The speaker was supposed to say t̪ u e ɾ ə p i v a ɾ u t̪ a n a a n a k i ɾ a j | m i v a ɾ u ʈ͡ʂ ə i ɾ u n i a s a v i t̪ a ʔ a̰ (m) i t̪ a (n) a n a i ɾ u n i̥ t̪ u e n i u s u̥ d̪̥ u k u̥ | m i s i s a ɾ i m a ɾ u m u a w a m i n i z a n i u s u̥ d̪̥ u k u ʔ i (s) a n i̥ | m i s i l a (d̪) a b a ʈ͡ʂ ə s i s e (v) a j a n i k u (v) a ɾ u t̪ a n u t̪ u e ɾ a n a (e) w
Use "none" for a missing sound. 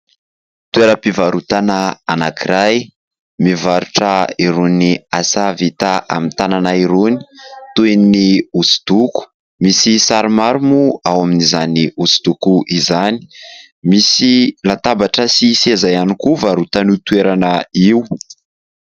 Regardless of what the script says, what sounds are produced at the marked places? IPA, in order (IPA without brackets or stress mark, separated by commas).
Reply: m, n, z, t̪, z, v, i